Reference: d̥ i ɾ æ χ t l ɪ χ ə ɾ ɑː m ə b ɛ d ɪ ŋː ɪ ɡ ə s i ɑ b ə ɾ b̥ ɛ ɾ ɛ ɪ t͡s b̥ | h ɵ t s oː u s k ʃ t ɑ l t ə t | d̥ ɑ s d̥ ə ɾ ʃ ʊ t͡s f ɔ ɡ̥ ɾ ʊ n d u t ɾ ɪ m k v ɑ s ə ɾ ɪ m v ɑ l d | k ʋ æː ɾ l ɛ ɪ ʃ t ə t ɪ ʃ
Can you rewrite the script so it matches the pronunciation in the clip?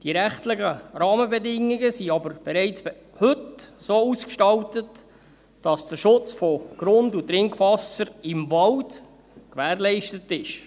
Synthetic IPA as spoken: d̥ i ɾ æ χ t l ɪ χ ə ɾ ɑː m ə b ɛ d ɪ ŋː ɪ ɡ ə s i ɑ b ə ɾ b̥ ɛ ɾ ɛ ɪ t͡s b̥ | h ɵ t s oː u s k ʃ t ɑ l t ə t | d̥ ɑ s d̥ ə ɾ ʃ ʊ t͡s f ɔ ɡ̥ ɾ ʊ n d u t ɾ ɪ ŋ k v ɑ s ə ɾ ɪ m v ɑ l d | k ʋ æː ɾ l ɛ ɪ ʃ t ə t ɪ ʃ